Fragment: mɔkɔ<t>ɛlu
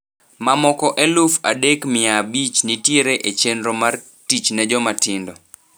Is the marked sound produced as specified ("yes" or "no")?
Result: no